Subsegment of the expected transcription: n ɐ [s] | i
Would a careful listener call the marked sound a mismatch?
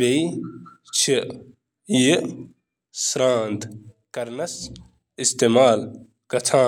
no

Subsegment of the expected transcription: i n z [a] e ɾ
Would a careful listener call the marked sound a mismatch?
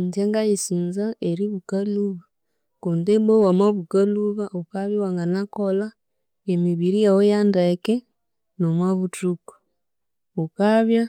no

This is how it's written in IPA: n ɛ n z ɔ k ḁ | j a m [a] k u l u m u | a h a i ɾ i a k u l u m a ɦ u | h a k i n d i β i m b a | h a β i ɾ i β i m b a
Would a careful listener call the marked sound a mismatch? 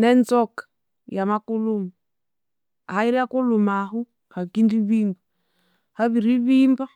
no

